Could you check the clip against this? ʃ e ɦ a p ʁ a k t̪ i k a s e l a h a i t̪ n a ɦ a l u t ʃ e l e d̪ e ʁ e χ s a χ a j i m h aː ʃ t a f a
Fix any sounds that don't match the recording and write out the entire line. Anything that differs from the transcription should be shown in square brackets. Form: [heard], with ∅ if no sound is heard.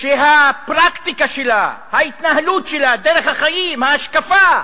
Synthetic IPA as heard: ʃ e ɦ a p ʁ a k t̪ i k a [ʃ] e l a h a i t̪ n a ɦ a l u t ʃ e l [a] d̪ e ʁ e χ [h] a χ a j i m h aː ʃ [k] a f a

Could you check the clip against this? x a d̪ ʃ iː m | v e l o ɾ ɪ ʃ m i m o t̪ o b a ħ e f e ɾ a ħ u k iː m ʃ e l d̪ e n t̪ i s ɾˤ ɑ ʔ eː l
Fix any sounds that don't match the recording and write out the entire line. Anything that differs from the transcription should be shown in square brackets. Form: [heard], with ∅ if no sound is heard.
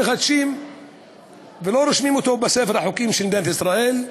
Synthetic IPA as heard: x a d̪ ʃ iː m | v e l o ɾ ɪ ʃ m i m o t̪ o b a [s] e f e ɾ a ħ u k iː m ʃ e l d̪ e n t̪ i s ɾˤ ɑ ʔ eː l

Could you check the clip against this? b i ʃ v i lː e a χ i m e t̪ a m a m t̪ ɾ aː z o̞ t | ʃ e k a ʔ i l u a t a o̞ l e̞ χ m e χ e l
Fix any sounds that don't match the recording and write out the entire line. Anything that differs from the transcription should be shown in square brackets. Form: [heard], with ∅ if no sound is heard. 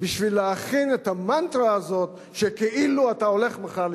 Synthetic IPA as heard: b i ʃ v i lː e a χ i [n] e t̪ a m a [n] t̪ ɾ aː z o̞ t | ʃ e k [e] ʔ i l u a t a o̞ l e̞ χ m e χ [a] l

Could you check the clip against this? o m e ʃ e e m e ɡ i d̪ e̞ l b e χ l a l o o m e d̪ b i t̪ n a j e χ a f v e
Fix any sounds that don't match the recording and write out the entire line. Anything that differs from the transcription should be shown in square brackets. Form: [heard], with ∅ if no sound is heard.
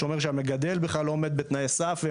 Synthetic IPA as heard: o m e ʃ e [a] m e ɡ [a] d̪ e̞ l b e χ l a l o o m e d̪ b [e] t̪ n a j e [s] a f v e

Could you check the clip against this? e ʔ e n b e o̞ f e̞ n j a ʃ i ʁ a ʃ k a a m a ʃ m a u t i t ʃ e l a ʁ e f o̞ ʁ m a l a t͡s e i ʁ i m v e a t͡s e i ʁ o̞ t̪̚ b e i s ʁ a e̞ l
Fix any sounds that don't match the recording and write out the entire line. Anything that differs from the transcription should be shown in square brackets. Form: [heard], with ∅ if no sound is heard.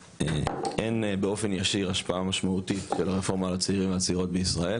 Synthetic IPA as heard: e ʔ e n b e o̞ f e̞ n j a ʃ i ʁ a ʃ [p] a a m a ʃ m a u t i t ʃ e l a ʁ e f o̞ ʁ m a l a t͡s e i ʁ i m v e a t͡s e i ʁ o̞ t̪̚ b e i s ʁ a e̞ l

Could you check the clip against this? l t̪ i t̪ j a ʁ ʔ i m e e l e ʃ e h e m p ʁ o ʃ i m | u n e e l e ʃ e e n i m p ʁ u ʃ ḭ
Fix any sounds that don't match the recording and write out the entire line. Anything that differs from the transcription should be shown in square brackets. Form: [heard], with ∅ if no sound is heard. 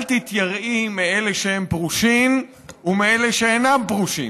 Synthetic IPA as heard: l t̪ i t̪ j a ʁ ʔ i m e e l e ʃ e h e m p ʁ [u] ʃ i m | u [m] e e l e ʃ e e n [a] m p ʁ u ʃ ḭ

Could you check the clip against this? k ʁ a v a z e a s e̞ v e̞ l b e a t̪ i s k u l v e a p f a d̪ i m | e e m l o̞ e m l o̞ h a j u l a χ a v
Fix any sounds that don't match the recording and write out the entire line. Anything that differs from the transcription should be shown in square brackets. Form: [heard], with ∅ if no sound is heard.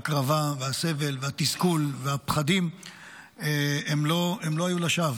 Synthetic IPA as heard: k ʁ a v a [v] e a s e̞ v e̞ l [v] e a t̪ i s k u l v e a p [χ] a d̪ i m | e e m l o̞ e m l o̞ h a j u l a [ʃ] a v

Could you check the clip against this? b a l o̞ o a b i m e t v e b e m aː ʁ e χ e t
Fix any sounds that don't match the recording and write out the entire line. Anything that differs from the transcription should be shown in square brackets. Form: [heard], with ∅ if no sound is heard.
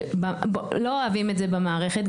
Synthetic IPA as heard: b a l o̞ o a [v] i m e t [z] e b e m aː ʁ e χ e t

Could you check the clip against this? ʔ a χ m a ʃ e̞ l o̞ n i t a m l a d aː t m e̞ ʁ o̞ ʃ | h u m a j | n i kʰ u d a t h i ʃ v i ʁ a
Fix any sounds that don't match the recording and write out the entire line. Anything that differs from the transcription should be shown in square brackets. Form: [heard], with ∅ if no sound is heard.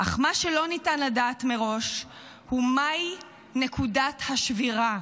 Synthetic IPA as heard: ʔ a χ m a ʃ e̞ l o̞ n i t a [n] l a d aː t m e̞ ʁ o̞ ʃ | h u m a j | n [e] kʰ u d a t h [a] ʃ v i ʁ a

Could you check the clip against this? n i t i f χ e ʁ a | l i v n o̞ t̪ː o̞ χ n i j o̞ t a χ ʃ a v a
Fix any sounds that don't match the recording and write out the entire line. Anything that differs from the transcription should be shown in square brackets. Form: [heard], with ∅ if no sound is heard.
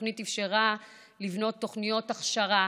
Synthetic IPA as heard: n i t i f [ʃ] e ʁ a | l i v n o̞ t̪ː o̞ χ n i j o̞ t a χ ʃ a [ʁ] a

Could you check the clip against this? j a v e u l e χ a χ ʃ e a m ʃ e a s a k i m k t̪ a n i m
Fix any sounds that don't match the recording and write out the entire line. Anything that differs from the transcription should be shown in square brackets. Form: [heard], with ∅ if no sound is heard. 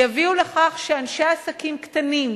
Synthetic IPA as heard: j a v [i] u l e χ a χ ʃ e a [n] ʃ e a s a k i m k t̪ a n i m

